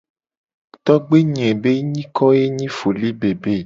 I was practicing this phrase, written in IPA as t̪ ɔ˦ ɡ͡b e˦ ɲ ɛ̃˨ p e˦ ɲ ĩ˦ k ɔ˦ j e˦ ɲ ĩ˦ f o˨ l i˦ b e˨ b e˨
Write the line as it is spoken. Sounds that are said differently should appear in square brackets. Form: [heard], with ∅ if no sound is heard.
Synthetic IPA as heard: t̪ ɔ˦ ɡ͡b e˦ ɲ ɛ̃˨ [b] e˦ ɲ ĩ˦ k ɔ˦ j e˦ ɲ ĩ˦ f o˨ l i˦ b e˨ b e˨